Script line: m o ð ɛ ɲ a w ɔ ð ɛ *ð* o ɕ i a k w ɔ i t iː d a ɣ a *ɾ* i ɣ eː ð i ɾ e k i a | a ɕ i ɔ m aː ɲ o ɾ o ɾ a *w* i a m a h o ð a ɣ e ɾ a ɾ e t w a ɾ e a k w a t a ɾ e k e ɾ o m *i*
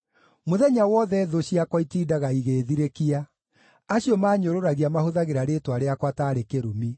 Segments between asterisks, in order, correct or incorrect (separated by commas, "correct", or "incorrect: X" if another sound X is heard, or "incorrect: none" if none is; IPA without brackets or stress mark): correct, incorrect: none, incorrect: ɣ, correct